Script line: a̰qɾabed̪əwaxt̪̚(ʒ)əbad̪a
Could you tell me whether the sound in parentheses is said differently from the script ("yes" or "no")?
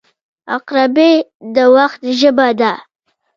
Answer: no